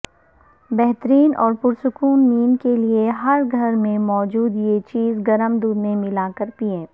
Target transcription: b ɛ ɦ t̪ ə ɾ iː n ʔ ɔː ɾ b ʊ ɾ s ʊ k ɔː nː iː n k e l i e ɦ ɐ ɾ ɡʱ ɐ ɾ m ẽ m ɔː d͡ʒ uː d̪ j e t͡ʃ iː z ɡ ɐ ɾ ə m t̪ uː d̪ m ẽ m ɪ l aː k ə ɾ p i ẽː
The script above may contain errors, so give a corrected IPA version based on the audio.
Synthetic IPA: b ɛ ɦ t̪ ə ɾ iː n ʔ ɔː ɾ p ʊ ɾ s ʊ k uː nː iː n k e l i e ɦ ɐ ɾ ɡʱ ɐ ɾ m ẽ m ɔː d͡ʒ uː d̪ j e t͡ʃ iː z ɡ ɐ ɾ ə m d̪ uː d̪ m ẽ m ɪ l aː k ə ɾ p i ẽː